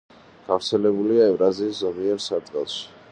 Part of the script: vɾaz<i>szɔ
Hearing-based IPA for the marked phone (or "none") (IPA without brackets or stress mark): iː